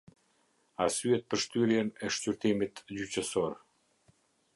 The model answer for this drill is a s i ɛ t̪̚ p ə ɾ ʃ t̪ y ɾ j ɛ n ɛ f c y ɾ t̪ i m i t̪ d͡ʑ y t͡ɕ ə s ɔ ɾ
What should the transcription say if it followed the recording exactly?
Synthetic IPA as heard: a s y ɛ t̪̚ p ə ɾ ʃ t̪ y ɾ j ɛ n ɛ ʃ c y ɾ t̪ i m i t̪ d͡ʑ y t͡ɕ ə s ɔ ɾ

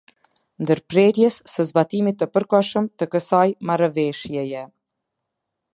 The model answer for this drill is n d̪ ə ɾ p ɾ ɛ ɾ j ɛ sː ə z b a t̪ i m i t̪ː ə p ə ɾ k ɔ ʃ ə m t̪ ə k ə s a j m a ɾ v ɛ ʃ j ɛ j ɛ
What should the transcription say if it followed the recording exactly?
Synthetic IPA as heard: n d̪ ə ɾ p ɾ ɛ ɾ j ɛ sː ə z b a t̪ i m i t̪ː ə p ə ɾ k ɔ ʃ ə m t̪ ə k ə s a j m a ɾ v ɛ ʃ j ɛ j ɛ

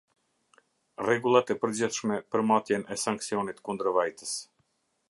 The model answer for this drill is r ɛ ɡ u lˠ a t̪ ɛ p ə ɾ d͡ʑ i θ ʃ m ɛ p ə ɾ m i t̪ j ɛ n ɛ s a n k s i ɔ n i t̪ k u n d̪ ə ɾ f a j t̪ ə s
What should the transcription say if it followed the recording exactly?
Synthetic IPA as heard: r ɛ ɡ u lˠ a t̪ ɛ p ə ɾ d͡ʑ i θ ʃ m ɛ p ə ɾ m a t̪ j ɛ n ɛ s a ŋ k s i ɔ n i t̪ k u n d̪ ə ɾ v a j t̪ ə s

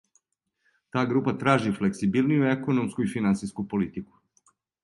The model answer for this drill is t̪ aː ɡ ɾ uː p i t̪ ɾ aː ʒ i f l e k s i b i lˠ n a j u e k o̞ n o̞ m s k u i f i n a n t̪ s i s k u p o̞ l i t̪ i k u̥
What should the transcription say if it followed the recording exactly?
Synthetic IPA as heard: t̪ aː ɡ ɾ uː p a t̪ ɾ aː ʒ i f l e k s i b i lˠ n i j u e k o̞ n o̞ m s k u i f i n a n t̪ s i s k u p o̞ l i t̪ i k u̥

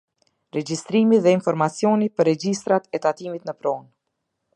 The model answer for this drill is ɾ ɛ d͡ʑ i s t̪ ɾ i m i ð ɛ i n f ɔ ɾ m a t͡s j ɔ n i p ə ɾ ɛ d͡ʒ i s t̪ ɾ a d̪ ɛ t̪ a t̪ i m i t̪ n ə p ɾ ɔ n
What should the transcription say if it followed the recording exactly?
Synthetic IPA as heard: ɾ ɛ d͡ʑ i s t̪ ɾ i m i ð ɛ i n f ɔ ɾ m a t͡s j ɔ n i p ə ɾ ɛ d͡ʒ i s t̪ ɾ a t̪ ɛ t̪ a t̪ i m i t̪ n ə p ɾ ɔ n

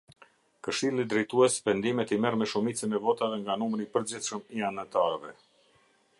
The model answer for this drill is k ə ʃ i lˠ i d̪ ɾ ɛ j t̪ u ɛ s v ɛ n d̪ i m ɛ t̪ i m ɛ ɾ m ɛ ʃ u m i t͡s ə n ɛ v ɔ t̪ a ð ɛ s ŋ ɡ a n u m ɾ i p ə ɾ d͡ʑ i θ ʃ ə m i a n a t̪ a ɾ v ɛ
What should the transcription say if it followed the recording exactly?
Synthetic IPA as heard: k ə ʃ i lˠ i d̪ ɾ ɛ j t̪ u ɛ s v ɛ n d̪ i m ɛ t̪ i m ɛ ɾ m ɛ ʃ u m i t͡s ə n ɛ v ɔ t̪ a ð ɛ ŋ ɡ a n u m ɾ i p ə ɾ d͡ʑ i θ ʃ ə m i a n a t̪ a ɾ v ɛ

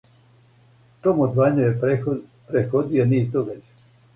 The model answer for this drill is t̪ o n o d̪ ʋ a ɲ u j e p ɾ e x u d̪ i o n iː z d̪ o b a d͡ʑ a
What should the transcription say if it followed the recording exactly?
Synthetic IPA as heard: t̪ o m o d̪ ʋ a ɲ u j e p ɾ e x o d̪ i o n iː z d̪ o ɡ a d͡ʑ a

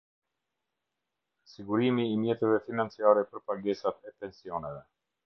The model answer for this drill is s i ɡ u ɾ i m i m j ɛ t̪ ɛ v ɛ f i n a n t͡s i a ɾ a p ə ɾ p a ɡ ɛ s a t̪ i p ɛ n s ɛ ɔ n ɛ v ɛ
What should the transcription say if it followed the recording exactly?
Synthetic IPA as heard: s i ɡ u ɾ i m iː m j ɛ t̪ ɛ v ɛ f i n a n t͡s i a ɾ ɛ p ə ɾ p a ɡ ɛ s a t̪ ɛ p ɛ n s i ɔ n ɛ v ɛ

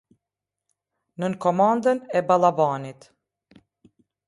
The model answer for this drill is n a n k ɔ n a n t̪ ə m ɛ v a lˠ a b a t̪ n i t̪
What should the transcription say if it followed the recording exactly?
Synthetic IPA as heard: n ə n k ɔ m a n d̪ ə n ɛ b a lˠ a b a n i t̪

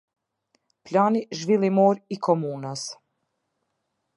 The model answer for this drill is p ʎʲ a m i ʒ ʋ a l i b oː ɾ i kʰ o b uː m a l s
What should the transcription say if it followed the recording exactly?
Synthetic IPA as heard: p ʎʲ a n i ʒ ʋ i l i m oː ɾ i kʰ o m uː n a s

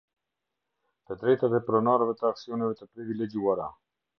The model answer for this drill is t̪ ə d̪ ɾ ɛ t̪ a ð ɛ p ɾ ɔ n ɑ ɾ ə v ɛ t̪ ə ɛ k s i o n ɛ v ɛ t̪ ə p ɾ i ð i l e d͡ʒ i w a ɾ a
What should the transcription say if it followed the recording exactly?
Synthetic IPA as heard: t̪ ə d̪ ɾ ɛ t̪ a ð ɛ p ɾ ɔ n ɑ ɾ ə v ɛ t̪ ə a k s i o n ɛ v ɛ t̪ ə p ɾ i v i l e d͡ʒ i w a ɾ a

